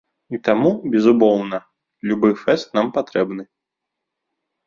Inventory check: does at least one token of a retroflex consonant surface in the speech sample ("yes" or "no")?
no